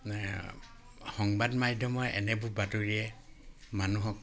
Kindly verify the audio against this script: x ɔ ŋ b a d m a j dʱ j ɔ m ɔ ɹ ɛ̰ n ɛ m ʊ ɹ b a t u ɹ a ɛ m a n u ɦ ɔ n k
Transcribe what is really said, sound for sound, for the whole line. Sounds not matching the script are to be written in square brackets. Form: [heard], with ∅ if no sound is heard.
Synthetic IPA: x ɔ ŋ b a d m a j dʱ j ɔ m ɔ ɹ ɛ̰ n ɛ [b] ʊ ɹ b a t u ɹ [i] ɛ m a n u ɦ ɔ [∅] k